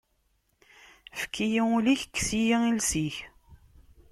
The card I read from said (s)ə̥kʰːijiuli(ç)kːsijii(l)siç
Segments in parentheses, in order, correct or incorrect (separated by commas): incorrect, correct, correct